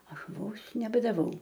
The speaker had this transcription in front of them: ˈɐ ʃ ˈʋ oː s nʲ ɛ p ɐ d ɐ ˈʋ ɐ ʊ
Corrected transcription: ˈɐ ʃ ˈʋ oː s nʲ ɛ b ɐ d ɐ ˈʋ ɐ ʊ